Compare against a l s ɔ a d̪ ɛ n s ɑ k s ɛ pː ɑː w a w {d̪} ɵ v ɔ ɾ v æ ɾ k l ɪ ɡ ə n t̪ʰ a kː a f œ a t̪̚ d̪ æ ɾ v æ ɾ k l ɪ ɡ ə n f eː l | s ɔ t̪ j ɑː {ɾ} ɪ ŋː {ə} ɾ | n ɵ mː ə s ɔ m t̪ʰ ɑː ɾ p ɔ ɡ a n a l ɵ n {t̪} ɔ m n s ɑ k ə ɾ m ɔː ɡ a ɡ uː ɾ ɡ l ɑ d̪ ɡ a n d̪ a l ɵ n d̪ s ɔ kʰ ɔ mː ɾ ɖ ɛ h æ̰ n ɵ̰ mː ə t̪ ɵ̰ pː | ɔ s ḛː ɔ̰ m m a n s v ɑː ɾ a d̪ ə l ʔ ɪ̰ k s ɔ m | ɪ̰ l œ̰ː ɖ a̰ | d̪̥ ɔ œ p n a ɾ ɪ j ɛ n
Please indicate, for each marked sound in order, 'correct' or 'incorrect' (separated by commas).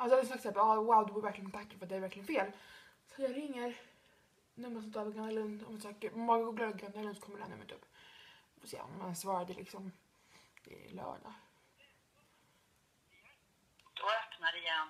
correct, correct, correct, incorrect